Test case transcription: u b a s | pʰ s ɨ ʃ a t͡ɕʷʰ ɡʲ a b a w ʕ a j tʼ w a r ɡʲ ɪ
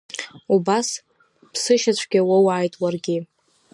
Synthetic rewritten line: u b a s | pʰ s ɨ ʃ a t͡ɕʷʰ ɡʲ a w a w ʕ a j tʼ w a r ɡʲ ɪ